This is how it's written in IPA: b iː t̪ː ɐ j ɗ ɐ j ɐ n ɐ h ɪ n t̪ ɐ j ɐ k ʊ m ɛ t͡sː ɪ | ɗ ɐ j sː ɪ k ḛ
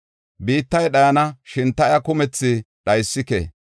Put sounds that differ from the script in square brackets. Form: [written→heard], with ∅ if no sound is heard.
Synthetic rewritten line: b iː t̪ː ɐ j ɗ ɐ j ɐ n ɐ [h→ʃ] ɪ n t̪ ɐ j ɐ k ʊ m ɛ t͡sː ɪ | ɗ ɐ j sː ɪ k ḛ